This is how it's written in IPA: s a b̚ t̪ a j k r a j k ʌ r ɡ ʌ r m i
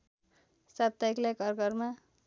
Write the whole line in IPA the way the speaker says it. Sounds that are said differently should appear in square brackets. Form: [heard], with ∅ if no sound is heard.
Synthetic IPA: s a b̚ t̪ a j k [l] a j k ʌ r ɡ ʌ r m [a]